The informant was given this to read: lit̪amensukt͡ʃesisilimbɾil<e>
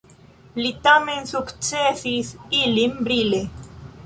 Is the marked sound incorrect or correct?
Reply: correct